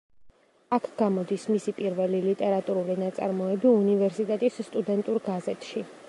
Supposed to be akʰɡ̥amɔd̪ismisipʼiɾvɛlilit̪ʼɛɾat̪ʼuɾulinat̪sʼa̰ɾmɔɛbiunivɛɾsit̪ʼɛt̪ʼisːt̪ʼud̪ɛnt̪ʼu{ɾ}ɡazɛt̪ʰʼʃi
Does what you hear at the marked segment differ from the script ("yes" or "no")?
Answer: no